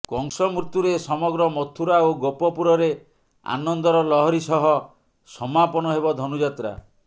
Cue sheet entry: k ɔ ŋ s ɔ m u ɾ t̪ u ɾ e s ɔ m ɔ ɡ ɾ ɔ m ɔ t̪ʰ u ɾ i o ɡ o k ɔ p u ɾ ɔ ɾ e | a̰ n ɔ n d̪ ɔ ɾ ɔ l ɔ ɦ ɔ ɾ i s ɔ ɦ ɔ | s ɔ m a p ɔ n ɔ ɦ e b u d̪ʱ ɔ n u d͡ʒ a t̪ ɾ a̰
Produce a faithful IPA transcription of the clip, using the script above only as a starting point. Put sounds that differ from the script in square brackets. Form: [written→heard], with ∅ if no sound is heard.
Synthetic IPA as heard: k ɔ ŋ s ɔ m u ɾ t̪ u ɾ e s ɔ m ɔ ɡ ɾ ɔ m ɔ t̪ʰ u ɾ [i→a] o ɡ o [k→p] ɔ p u ɾ ɔ ɾ e | a̰ n ɔ n d̪ ɔ ɾ ɔ l ɔ ɦ ɔ ɾ i s ɔ ɦ ɔ | s ɔ m a p ɔ n ɔ ɦ e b [u→ɔ] d̪ʱ ɔ n u d͡ʒ a t̪ ɾ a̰